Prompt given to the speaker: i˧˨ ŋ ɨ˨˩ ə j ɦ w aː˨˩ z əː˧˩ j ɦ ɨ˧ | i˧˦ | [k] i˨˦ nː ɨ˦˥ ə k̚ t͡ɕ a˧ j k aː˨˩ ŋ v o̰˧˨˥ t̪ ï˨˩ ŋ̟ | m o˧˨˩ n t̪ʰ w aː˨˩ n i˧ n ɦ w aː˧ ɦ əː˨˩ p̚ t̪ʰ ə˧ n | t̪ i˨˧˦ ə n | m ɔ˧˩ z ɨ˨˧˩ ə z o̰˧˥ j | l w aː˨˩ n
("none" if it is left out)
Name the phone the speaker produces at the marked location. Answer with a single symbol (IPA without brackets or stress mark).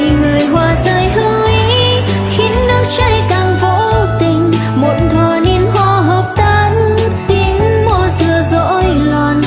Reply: x